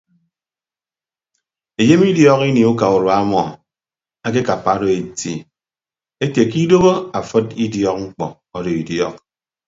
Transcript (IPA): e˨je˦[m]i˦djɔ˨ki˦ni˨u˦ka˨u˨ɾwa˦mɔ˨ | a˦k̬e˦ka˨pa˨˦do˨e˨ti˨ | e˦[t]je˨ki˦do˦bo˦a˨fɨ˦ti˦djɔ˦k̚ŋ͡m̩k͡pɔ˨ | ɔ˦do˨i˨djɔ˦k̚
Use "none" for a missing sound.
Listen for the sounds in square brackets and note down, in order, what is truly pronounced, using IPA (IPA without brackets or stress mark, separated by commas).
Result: m, t